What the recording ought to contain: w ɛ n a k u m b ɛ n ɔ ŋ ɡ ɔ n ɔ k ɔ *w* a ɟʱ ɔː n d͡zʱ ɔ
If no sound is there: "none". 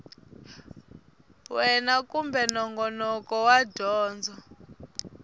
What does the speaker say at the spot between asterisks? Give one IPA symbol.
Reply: w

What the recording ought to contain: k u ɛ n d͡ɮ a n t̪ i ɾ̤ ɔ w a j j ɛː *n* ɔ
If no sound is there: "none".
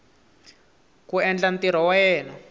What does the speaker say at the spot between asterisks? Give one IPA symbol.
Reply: n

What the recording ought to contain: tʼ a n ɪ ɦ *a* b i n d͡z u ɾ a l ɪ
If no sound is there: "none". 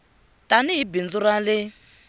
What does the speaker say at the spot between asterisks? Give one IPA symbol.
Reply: i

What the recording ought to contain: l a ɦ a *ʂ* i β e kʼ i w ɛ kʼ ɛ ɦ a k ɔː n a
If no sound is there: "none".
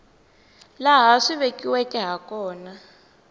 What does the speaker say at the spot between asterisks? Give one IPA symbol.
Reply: ʂ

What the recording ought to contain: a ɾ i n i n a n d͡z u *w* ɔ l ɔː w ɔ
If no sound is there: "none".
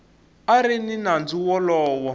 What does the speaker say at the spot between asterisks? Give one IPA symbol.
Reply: w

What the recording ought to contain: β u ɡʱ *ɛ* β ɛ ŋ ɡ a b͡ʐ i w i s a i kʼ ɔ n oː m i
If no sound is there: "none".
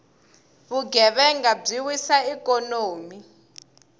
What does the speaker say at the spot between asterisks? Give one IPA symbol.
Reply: ɛ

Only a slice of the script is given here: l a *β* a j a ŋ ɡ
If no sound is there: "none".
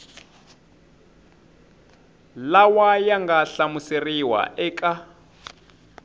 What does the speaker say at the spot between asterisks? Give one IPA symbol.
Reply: w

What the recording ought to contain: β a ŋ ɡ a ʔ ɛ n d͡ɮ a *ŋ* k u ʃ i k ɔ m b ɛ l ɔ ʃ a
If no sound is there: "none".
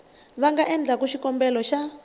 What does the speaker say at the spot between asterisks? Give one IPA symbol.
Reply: none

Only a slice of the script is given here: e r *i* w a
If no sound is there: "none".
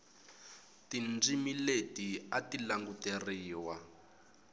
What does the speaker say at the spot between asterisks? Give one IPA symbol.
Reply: iː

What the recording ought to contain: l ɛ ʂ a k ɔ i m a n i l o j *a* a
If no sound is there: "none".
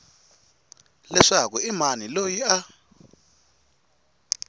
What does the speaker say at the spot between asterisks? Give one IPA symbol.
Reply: i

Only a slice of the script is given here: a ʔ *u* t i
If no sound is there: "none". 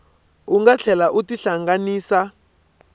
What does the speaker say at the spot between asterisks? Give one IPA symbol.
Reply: u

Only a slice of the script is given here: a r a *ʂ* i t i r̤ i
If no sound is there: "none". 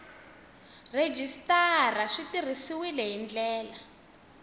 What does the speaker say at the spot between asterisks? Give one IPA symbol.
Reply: ʂ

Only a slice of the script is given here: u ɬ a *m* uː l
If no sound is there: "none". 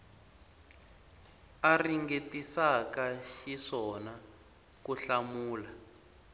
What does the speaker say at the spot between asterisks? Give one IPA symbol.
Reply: m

